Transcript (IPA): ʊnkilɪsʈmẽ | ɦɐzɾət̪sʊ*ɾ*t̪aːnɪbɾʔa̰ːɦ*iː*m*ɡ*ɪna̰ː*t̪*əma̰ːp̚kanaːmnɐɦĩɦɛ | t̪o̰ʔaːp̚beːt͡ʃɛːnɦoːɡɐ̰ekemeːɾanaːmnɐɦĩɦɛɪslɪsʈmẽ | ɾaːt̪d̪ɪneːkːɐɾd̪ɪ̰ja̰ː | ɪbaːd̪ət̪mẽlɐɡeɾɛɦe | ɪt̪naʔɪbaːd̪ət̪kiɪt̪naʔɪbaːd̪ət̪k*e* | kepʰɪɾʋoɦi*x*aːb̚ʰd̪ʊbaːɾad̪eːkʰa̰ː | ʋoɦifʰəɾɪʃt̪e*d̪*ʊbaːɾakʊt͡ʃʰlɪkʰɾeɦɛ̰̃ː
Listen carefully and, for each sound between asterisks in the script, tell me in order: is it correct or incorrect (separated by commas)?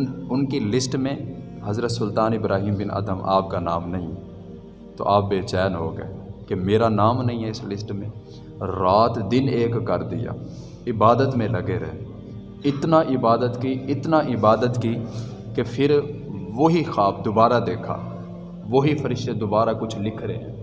incorrect, correct, incorrect, incorrect, incorrect, correct, correct